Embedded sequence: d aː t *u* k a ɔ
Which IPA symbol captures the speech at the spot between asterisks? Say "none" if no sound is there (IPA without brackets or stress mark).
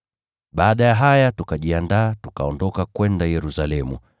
u